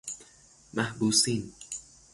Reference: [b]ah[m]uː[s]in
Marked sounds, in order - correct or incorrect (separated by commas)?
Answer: incorrect, incorrect, correct